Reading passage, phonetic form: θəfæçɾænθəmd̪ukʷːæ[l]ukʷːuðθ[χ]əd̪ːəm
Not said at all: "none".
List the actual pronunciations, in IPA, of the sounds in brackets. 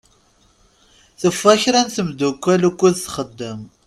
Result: l, χ

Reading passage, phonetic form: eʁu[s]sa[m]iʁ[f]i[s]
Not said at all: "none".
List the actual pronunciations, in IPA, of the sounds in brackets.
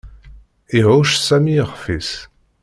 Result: ʃ, m, f, s

